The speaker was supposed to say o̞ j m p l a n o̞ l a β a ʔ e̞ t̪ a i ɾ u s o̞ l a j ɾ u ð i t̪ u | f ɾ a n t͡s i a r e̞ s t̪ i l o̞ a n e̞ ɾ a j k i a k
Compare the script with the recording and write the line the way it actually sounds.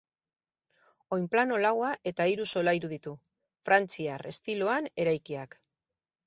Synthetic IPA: o̞ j m p l a n o̞ l a w a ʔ e̞ t̪ a i ɾ u s o̞ l a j ɾ u ð i t̪ u | f ɾ a n t͡s i a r e̞ s t̪ i l o̞ a n e̞ ɾ a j k i a k